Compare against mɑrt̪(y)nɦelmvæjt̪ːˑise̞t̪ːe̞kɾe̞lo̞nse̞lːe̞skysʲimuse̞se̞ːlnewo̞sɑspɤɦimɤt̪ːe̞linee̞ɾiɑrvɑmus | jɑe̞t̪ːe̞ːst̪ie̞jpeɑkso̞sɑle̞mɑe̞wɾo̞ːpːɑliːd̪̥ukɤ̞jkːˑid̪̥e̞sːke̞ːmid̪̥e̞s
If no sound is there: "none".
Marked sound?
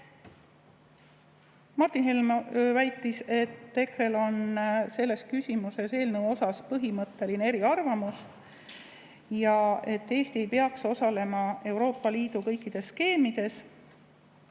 i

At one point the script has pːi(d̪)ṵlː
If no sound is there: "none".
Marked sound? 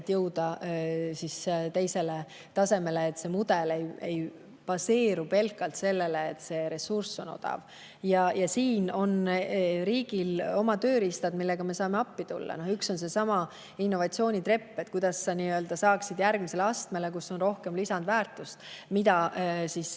t̪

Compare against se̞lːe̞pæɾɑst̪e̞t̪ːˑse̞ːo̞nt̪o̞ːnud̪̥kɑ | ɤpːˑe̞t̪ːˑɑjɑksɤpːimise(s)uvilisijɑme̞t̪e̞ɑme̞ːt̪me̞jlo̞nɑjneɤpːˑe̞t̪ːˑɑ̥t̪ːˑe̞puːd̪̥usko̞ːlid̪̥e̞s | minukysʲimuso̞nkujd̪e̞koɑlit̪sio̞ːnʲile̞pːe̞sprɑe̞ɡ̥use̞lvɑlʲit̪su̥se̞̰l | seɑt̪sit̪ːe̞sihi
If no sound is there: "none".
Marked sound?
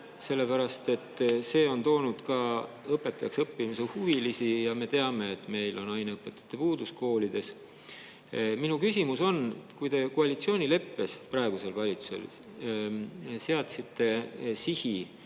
h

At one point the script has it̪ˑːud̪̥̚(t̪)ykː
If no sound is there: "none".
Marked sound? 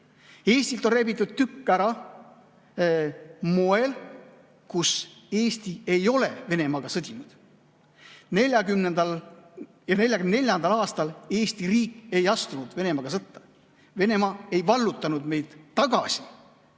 t̪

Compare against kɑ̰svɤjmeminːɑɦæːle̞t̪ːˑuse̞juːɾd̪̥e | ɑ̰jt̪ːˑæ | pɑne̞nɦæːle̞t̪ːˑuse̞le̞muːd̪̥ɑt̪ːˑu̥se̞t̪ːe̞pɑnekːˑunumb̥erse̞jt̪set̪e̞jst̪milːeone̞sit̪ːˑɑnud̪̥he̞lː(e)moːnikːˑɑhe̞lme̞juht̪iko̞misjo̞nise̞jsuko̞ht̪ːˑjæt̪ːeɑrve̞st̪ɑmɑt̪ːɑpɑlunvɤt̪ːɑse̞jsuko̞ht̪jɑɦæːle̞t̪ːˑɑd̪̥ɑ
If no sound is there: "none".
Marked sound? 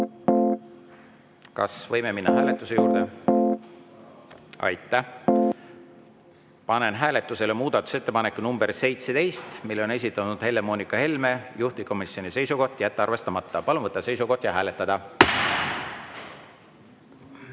e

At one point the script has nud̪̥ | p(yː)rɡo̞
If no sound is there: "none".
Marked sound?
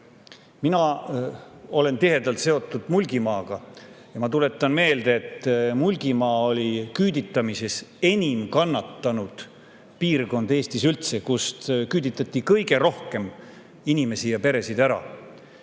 iː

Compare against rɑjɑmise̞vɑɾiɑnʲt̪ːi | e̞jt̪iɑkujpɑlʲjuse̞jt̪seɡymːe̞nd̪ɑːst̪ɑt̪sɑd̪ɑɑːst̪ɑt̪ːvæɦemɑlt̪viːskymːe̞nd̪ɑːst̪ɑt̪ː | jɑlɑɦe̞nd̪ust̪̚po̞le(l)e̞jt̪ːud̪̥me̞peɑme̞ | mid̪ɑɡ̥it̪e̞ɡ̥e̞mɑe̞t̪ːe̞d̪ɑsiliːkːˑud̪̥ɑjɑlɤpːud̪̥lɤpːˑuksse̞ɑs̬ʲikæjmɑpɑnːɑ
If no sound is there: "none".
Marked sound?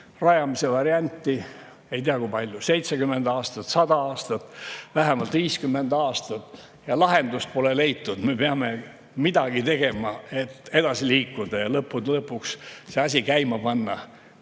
l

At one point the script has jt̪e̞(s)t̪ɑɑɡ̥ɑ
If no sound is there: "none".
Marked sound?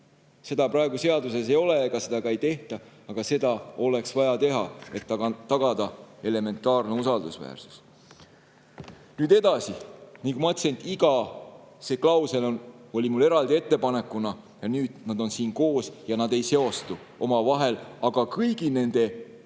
h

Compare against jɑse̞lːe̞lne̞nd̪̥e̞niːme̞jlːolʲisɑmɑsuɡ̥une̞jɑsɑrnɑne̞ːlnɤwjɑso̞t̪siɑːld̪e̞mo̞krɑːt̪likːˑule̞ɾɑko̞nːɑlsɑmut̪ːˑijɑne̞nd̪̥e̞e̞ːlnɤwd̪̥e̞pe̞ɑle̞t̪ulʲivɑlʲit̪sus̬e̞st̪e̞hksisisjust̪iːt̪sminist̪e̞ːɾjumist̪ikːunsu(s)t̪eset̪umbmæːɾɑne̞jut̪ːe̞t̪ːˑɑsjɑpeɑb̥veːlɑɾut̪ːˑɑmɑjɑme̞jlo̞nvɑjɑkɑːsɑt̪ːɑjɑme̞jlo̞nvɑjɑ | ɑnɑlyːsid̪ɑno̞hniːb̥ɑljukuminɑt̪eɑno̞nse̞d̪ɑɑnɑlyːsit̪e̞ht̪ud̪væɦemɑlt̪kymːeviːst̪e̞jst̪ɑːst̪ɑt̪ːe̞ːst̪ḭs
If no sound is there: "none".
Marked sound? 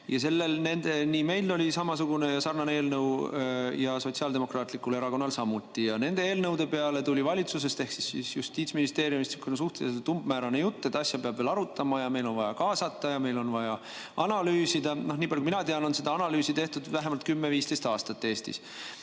h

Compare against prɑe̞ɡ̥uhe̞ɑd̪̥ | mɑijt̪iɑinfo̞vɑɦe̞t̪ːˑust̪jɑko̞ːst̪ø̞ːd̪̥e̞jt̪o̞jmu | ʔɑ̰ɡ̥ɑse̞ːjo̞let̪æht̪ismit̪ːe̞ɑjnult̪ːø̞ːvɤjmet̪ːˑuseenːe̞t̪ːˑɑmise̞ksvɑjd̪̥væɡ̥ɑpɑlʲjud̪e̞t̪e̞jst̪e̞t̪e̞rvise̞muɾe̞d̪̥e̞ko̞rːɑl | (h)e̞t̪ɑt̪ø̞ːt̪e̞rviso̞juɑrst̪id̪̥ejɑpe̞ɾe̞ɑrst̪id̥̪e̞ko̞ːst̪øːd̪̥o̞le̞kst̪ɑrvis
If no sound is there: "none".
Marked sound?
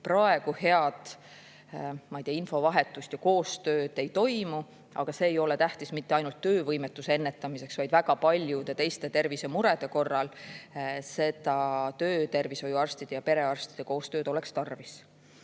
s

